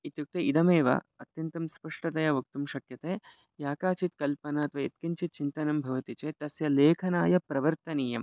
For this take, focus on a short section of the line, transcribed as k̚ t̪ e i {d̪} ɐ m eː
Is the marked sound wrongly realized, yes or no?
no